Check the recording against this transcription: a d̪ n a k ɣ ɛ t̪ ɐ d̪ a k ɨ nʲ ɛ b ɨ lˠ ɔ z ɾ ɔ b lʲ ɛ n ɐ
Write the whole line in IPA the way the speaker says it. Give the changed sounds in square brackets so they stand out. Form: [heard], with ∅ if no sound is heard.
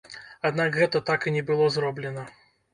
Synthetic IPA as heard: a d̪ n a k ɣ ɛ t̪ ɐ [t̪] a k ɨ nʲ ɛ b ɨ lˠ ɔ z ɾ ɔ b lʲ ɛ n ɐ